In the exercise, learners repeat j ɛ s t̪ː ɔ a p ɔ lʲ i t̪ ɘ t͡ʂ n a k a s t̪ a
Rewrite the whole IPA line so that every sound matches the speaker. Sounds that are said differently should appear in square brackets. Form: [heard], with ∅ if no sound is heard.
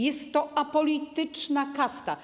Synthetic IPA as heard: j ɛ s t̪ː ɔ a p ɔ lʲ i t̪ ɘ t͡ʂ n a k a s t̪ a